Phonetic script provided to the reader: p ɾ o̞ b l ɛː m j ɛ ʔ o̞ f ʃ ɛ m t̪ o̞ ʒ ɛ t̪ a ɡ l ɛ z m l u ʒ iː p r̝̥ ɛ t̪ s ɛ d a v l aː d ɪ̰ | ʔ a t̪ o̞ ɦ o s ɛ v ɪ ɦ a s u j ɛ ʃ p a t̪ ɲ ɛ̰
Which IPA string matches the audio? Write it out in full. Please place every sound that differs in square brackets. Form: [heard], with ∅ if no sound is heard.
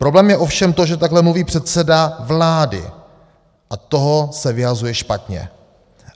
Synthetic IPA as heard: p ɾ o̞ b l ɛː m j ɛ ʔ o̞ f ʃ ɛ m t̪ o̞ ʒ ɛ t̪ a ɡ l ɛ [∅] m l u [v] iː p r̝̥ ɛ t̪ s ɛ d a v l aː d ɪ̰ | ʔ a t̪ o̞ ɦ o s ɛ v ɪ ɦ a [z] u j ɛ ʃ p a t̪ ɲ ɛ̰